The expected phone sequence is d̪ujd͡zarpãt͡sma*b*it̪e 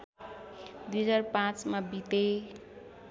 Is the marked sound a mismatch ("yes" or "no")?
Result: no